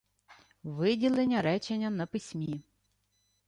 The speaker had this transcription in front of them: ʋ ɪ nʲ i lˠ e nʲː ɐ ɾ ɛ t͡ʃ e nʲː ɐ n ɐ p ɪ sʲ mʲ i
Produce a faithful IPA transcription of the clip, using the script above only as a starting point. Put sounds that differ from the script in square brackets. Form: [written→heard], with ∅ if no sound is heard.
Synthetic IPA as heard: ʋ ɪ [nʲ→dʲ] i lˠ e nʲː ɐ ɾ ɛ t͡ʃ e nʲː ɐ n ɐ p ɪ sʲ mʲ i